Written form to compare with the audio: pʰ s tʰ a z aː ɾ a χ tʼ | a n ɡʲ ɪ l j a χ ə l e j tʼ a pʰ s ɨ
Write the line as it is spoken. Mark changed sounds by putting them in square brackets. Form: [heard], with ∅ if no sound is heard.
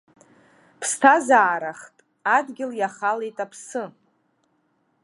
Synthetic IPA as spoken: pʰ s tʰ a z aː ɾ a χ tʼ | a [d] ɡʲ ɪ l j a χ [a] l e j tʼ a pʰ s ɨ